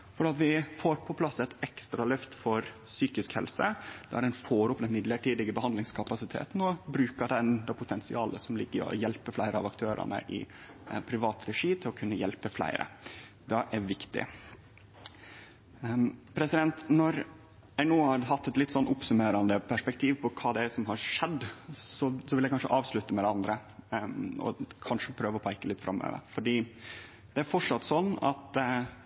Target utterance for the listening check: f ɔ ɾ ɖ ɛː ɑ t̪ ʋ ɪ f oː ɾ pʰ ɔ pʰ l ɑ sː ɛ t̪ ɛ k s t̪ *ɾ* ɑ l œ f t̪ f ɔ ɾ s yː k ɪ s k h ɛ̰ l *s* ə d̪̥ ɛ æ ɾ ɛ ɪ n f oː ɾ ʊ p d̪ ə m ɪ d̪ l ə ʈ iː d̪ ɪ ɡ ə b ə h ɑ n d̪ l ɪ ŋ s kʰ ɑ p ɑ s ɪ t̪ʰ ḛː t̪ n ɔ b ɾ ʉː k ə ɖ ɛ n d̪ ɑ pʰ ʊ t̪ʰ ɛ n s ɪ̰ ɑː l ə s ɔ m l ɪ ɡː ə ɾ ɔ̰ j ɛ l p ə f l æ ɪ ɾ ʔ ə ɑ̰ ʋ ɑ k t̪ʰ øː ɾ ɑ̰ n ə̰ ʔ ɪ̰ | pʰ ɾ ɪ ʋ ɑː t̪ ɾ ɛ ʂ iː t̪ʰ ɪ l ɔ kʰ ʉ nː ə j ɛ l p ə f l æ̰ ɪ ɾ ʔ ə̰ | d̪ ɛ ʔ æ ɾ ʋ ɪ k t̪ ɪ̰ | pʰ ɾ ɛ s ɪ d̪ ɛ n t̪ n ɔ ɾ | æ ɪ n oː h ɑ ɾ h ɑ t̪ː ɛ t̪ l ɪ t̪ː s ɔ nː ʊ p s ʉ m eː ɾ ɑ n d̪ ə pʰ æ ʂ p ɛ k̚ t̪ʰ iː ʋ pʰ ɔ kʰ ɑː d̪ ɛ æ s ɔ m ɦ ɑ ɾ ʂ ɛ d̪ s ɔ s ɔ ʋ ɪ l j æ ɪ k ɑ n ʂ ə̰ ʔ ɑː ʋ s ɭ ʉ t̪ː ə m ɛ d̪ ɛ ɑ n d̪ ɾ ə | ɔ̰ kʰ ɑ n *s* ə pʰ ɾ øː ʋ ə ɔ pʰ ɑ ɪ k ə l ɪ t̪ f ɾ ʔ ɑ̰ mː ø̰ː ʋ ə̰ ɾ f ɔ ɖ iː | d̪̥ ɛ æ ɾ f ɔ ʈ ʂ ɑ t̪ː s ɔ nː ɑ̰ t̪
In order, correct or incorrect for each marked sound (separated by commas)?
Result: correct, correct, incorrect